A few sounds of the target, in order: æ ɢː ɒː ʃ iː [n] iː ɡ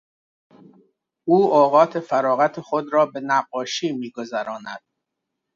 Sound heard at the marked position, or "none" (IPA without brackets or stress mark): m